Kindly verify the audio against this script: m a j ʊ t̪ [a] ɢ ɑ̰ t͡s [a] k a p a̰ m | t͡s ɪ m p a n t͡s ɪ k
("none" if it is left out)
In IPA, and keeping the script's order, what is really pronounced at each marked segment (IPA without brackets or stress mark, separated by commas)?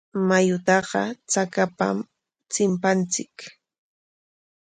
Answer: ɑ, a